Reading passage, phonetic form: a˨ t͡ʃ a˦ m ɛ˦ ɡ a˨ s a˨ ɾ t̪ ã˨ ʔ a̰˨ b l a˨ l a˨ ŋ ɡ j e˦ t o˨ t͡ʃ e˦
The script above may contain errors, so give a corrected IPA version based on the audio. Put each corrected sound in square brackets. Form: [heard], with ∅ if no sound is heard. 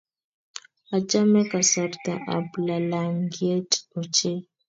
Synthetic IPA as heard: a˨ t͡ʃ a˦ m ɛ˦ [k] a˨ s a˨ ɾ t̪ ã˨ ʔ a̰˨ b l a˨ l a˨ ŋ ɡ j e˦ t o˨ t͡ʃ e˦